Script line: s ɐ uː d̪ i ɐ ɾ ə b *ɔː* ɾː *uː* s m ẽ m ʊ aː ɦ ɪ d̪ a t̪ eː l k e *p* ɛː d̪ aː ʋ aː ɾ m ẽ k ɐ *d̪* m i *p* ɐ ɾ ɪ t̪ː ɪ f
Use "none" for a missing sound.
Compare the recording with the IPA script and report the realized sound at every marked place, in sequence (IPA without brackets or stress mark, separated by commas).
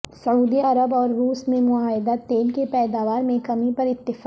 ɔː, uː, p, none, p